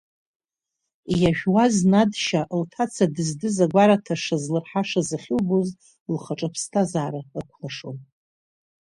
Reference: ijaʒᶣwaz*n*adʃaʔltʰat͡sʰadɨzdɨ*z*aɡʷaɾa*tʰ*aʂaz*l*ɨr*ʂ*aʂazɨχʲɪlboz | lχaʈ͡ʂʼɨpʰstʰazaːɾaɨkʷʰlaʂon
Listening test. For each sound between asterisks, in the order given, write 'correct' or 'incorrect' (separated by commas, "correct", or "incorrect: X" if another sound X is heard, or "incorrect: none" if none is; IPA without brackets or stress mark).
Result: correct, correct, correct, correct, incorrect: ħ